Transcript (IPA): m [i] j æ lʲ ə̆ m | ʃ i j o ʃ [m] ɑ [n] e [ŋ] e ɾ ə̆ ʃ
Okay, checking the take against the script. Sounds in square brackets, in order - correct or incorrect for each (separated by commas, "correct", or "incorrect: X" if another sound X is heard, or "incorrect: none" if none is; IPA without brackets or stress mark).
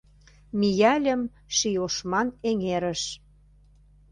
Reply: correct, correct, correct, correct